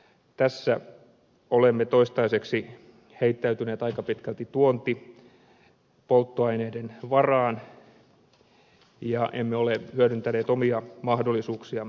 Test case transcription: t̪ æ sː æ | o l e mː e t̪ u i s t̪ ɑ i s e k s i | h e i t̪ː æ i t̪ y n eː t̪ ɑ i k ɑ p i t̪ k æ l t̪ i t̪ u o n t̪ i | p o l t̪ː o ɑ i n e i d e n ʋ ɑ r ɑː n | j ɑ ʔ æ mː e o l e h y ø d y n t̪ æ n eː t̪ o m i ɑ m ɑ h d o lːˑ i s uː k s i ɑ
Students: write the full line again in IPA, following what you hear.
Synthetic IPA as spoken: t̪ æ sː æ | o l e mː e t̪ o i s t̪ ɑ i s e k s i | h e i t̪ː æ y t̪ y n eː t̪ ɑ i k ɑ p i t̪ k æ l t̪ i t̪ u o n t̪ i | p o l t̪ː o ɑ i n e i d e n ʋ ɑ r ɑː n | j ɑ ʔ e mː e o l e h y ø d y n t̪ æ n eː t̪ o m i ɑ m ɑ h d o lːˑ i s uː k s i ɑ

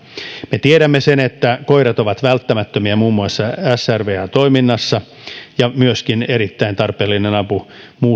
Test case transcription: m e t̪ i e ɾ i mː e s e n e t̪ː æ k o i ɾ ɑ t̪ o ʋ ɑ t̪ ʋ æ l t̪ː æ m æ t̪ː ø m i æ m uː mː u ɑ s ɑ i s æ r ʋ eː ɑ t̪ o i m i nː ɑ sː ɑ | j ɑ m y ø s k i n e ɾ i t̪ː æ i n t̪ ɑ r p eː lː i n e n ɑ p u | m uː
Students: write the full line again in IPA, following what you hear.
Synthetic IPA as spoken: m e t̪ i e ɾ æ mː e s e n e t̪ː æ k o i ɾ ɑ t̪ o ʋ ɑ t̪ ʋ æ l t̪ː æ m æ t̪ː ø m i æ m uː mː u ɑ sː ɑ æ s æ r ʋ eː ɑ t̪ o i m i nː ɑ sː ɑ | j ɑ m y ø s k i n e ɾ i t̪ː æ i n t̪ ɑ r p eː lː i n e n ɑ p u | m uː

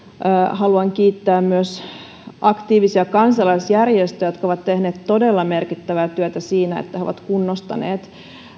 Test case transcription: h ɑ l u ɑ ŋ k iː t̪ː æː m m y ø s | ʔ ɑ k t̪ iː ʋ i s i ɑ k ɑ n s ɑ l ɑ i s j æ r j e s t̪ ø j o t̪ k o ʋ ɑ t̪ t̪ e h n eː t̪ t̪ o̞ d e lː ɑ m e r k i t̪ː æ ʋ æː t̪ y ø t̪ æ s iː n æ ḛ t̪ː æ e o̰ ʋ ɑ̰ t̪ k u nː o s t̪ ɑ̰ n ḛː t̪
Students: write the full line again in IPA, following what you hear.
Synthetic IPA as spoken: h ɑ l u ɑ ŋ k iː t̪ː æː m m y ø s | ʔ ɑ k t̪ iː ʋ i s i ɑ k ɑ n s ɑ l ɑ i s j æ r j e s t̪ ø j o t̪ k o ʋ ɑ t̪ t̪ e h n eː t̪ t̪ o̞ d e lː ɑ m e r k i t̪ː æ ʋ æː t̪ y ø t̪ æ s iː n æ ḛ t̪ː æ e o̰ ʋ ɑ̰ t̪ k u nː o s t̪ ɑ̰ n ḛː t̪

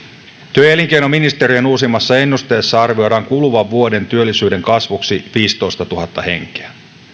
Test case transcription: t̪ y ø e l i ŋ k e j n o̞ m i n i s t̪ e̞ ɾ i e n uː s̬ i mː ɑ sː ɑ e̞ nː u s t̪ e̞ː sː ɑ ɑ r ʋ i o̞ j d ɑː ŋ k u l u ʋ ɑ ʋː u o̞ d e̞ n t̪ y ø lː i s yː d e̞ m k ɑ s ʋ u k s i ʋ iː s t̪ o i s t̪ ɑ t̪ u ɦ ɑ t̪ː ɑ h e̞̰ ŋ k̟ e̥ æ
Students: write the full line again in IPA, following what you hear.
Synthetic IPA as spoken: t̪ y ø e l i ŋ k e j n o̞ m i n i s t̪ e̞ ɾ i e n uː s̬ i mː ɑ sː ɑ e̞ nː u s t̪ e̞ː sː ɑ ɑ r ʋ i o̞ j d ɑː ŋ k u l u ʋ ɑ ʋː u o̞ d e̞ n t̪ y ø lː i s yː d e̞ ŋ k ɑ s ʋ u k s i ʋ iː s t̪ o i s t̪ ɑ t̪ u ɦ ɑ t̪ː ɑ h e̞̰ ŋ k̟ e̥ æ

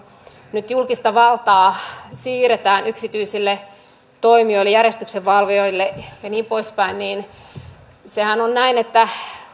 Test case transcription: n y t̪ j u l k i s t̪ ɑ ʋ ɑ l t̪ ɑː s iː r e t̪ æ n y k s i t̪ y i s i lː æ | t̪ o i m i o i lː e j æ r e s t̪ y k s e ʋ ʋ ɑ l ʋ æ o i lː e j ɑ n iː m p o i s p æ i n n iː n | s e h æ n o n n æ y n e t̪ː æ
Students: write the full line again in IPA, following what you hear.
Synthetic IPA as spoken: n y t̪ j u l k i s t̪ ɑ ʋ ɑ l t̪ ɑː s iː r e t̪ æː n y k s i t̪ y i s i lː e | t̪ o i m i o i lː e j æ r e s t̪ y k s e ʋ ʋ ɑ l ʋ i o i lː e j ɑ n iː m p o i s p æ i n n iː n | s e h æ n o n n æ i n e t̪ː æ

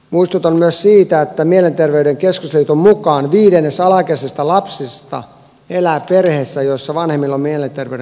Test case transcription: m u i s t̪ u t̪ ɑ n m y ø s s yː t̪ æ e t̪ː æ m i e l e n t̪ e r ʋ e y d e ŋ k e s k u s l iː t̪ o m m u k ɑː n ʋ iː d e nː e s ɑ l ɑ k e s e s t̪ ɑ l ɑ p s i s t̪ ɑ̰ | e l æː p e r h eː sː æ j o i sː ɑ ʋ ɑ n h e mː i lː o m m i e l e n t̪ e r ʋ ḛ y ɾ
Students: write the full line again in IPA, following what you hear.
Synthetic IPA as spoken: m u i s t̪ u t̪ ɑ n m y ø s s iː t̪ æ e t̪ː æ m i e l e n t̪ e r ʋ e y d e ŋ k e s k u s l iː t̪ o m m u k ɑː n ʋ iː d e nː e s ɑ l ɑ k e s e s t̪ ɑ l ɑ p s i s t̪ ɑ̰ | e l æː p e r h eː sː æ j o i sː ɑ ʋ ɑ n h e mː i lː o m m i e l e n t̪ e r ʋ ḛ y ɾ

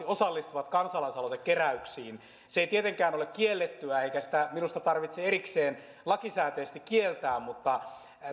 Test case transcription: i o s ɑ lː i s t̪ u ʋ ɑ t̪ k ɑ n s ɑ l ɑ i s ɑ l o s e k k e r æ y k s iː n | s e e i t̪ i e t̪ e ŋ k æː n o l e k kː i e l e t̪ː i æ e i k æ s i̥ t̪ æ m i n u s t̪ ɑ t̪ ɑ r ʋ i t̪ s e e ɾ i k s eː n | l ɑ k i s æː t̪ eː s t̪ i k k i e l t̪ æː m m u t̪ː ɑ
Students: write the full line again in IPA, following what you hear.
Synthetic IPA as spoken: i o s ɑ lː i s t̪ u ʋ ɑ t̪ k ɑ n s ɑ l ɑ i s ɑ l o s e k k e r æ y k s iː n | s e e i t̪ i e t̪ e ŋ k æː n o l e k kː i e lː e t̪ː y æ e i k æ s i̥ t̪ æ m i n u s t̪ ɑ t̪ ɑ r ʋ i t̪ s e e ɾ i k s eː n | l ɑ k i s æː t̪ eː s t̪ i k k i e l t̪ æː m m u t̪ː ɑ

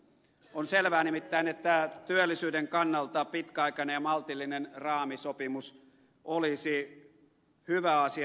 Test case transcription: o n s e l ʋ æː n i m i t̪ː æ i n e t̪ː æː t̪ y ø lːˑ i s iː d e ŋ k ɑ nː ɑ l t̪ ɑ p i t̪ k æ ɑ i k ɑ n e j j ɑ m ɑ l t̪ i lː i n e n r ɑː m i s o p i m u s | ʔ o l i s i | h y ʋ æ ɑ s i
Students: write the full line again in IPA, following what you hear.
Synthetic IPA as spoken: o n s e l ʋ æː n i m i t̪ː æ i n e t̪ː æ t̪ y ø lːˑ i s yː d e ŋ k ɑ nː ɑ l t̪ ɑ p i t̪ k æ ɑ i k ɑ n e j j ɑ m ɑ l t̪ i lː i n e n r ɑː m i s o p i m u s | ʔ o l i s i | h y ʋ æ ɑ s i

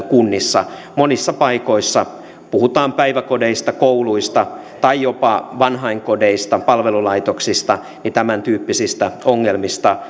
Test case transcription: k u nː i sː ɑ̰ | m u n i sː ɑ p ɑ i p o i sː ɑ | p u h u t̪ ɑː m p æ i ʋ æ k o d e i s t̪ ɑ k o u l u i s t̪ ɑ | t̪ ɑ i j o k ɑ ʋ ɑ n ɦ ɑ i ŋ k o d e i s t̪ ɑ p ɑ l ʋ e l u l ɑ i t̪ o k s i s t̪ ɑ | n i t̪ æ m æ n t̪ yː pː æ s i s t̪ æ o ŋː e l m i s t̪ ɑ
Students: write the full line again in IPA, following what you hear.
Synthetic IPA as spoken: k u nː i sː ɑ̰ | m o n i sː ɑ p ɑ i k o i sː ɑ | p u h u t̪ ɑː m p æ i ʋ æ k o d e i s t̪ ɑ k o u l u i s t̪ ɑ | t̪ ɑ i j o p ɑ ʋ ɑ n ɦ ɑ i ŋ k o d e i s t̪ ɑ p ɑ l ʋ e l u l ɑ i t̪ o k s i s t̪ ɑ | n i t̪ æ m æ n t̪ yː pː i s i s t̪ æ o ŋː e l m i s t̪ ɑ

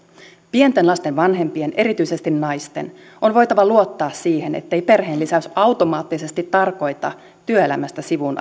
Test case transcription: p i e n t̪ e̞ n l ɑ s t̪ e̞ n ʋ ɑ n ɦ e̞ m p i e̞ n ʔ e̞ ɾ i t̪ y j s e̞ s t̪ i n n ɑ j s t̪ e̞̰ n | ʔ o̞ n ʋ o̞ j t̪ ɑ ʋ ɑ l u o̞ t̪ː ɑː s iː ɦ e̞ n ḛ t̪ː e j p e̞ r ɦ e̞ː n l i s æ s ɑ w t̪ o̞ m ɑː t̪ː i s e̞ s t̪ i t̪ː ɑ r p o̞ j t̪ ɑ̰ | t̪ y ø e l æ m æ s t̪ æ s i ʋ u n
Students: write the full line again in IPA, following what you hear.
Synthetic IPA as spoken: p i e n t̪ e̞ n l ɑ s t̪ e̞ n ʋ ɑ n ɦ e̞ m p i e̞ n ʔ e̞ ɾ i t̪ y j s e̞ s t̪ i n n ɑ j s t̪ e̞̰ n | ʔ o̞ n ʋ o̞ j t̪ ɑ ʋ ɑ l u o̞ t̪ː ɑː s iː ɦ e̞ n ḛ t̪ː e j p e̞ r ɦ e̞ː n l i s æ s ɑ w t̪ o̞ m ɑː t̪ː i s e̞ s t̪ i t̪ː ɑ r k o̞ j t̪ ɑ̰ | t̪ y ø e l æ m æ s t̪ æ s i ʋ u n

